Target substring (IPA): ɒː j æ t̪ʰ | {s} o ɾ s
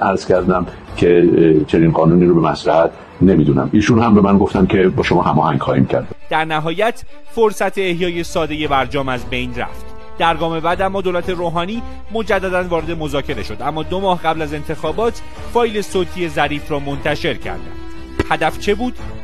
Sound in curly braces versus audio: incorrect: f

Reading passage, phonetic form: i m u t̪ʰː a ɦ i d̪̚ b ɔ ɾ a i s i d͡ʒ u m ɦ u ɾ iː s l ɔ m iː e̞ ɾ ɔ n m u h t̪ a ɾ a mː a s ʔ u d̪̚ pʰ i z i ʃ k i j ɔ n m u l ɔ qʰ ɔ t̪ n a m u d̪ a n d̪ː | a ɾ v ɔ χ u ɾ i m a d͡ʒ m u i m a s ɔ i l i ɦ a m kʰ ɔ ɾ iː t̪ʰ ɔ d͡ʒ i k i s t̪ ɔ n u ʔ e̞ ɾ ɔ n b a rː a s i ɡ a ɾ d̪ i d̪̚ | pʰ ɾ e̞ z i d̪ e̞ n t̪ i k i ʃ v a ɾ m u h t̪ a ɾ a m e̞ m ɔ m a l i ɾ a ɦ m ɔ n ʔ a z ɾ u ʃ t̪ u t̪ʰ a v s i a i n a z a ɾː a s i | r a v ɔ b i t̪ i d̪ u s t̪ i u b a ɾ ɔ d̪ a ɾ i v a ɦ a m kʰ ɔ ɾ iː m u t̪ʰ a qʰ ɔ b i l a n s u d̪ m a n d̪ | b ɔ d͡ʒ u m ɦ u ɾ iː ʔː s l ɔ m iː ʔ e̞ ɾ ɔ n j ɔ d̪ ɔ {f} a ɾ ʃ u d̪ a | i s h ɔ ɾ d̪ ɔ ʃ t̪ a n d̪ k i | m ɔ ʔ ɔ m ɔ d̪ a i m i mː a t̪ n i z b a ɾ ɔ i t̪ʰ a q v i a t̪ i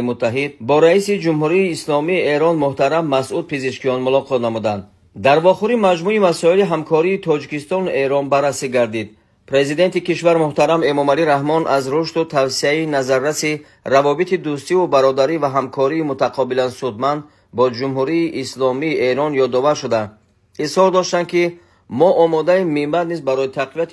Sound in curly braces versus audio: incorrect: v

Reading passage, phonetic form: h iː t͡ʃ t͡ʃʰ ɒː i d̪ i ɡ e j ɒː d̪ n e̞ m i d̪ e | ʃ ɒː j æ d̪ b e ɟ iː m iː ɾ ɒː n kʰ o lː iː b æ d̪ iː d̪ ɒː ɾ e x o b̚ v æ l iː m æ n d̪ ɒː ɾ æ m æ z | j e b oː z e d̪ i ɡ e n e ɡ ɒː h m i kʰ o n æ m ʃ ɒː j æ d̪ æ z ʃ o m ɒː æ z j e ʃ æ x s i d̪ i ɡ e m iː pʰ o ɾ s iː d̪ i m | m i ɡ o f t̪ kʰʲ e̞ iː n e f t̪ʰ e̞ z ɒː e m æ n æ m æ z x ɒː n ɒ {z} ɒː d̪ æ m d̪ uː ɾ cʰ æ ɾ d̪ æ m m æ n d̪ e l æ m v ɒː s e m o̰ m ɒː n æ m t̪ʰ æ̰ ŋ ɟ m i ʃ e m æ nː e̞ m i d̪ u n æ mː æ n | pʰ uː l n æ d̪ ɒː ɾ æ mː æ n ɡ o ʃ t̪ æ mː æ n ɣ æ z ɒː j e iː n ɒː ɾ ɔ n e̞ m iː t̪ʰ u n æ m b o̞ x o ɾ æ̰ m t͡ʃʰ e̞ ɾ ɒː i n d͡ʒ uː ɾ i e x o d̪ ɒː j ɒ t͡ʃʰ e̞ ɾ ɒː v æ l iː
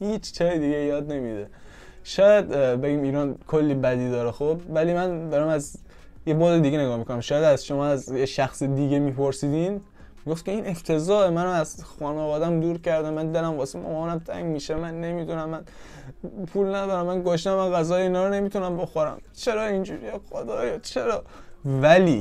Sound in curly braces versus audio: incorrect: v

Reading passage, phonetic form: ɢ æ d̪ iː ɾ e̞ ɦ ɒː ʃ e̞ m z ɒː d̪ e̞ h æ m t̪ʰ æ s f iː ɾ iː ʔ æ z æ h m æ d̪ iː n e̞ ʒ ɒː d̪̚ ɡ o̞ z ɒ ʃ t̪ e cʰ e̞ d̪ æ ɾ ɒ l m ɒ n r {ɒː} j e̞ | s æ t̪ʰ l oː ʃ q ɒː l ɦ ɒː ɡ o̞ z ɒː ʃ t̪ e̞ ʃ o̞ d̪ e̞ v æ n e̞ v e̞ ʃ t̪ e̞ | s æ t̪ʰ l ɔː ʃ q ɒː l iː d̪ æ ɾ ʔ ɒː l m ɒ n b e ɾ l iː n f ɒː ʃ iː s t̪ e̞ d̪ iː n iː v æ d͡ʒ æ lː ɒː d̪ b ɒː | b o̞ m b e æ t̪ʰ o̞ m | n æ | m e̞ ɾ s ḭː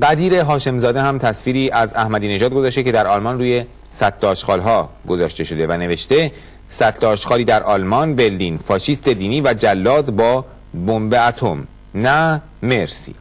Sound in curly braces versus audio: incorrect: uː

